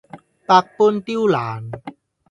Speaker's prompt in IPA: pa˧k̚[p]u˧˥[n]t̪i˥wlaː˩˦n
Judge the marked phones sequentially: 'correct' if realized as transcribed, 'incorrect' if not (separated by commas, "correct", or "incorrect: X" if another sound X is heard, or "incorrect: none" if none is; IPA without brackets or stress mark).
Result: correct, correct